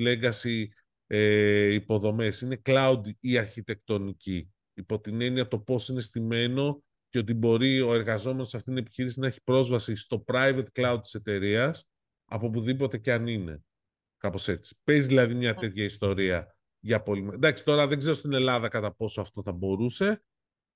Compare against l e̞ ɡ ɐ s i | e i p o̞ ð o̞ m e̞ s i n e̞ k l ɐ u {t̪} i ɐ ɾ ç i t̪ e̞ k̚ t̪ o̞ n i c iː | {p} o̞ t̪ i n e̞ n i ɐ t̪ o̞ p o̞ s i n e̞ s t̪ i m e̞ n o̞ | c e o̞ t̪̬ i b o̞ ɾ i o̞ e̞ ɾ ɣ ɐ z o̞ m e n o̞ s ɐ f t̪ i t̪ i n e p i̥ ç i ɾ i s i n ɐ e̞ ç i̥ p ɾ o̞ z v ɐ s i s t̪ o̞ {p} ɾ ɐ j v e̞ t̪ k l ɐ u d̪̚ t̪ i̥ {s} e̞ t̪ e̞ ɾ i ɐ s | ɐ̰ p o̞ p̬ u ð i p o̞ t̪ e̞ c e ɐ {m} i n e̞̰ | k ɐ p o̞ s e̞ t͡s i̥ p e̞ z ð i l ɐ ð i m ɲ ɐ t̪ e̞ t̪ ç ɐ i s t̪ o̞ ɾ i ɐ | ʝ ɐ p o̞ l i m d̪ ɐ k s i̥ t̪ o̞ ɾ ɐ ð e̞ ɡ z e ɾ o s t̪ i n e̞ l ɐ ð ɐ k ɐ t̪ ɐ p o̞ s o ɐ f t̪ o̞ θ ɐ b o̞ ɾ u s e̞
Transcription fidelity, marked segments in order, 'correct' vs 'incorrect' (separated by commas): incorrect, correct, correct, correct, incorrect